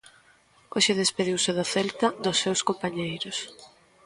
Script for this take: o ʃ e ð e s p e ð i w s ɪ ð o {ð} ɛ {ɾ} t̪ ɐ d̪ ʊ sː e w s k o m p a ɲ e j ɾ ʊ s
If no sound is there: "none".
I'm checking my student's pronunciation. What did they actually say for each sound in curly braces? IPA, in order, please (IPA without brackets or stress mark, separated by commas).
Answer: θ, l